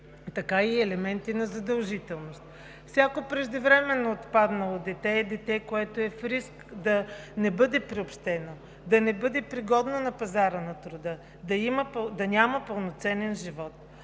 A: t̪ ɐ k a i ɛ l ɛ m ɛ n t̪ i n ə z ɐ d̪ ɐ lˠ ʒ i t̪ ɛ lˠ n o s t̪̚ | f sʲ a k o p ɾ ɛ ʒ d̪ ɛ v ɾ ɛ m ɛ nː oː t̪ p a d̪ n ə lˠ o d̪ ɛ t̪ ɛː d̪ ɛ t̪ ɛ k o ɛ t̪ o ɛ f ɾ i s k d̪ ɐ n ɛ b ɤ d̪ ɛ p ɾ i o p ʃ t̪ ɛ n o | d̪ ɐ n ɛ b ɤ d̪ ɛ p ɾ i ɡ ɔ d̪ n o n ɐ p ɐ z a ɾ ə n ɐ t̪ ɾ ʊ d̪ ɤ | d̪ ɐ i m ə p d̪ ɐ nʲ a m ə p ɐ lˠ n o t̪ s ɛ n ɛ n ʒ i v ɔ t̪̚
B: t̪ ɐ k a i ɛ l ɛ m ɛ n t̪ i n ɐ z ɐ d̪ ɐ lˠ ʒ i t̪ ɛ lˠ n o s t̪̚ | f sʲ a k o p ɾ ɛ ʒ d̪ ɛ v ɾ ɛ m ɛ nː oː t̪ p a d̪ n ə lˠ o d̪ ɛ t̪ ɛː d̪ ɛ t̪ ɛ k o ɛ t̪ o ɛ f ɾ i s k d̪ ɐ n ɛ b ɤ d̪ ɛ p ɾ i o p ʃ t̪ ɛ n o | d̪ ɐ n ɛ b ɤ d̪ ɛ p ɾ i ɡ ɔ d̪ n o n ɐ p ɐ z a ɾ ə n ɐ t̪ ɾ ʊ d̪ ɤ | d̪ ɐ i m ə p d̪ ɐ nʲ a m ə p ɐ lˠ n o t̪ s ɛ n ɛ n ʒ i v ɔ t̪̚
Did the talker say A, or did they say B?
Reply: B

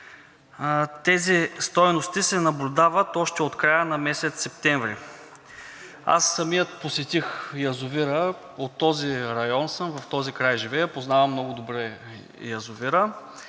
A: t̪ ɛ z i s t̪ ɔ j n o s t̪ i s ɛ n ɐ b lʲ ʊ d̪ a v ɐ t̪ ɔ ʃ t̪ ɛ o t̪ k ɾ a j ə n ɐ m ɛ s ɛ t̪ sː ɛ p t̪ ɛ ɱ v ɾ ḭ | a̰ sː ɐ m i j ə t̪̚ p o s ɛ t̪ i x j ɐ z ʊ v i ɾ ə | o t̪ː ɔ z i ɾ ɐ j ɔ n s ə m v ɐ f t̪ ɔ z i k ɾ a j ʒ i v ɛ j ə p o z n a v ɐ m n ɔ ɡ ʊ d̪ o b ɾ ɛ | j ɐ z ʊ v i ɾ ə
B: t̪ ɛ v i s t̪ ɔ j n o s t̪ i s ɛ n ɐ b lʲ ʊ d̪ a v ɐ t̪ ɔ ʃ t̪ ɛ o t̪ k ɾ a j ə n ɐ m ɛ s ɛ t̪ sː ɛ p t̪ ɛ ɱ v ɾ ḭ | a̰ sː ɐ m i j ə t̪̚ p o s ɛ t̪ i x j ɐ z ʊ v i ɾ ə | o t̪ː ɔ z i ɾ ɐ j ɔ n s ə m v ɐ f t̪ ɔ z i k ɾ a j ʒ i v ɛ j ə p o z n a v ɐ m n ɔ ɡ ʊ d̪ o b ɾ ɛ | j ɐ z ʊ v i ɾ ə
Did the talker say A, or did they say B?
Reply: A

